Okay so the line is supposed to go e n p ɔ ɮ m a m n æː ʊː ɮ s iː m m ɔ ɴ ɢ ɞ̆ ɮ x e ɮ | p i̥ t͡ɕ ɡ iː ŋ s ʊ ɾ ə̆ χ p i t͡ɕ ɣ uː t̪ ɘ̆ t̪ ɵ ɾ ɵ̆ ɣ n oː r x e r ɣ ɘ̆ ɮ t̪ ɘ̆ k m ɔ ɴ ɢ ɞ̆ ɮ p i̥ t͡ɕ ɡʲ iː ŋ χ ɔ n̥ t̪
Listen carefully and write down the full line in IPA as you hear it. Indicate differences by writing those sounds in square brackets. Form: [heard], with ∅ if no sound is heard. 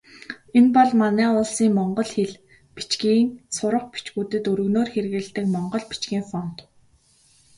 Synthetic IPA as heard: e n p ɔ ɮ m a [∅] n æː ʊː ɮ s iː [ŋ] m ɔ ɴ ɢ ɞ̆ ɮ x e ɮ | p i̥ t͡ɕ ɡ iː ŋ s ʊ ɾ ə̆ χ p i t͡ɕ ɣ uː t̪ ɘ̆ t̪ ɵ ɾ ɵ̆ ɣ n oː r x e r ɣ ɘ̆ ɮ t̪ ɘ̆ k m ɔ ɴ ɢ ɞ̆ ɮ p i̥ t͡ɕ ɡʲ iː ŋ [f] ɔ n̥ t̪